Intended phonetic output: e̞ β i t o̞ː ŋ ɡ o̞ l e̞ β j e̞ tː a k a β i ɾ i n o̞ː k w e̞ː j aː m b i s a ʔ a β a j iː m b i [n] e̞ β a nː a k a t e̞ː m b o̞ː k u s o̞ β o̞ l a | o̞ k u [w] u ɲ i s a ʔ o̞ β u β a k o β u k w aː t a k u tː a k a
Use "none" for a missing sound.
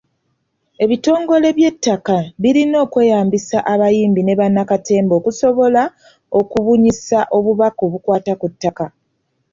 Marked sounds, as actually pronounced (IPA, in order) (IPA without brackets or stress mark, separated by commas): n, β